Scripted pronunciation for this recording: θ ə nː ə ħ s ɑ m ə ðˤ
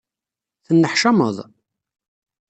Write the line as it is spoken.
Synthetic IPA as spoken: θ ə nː ə ħ ʃ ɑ m ə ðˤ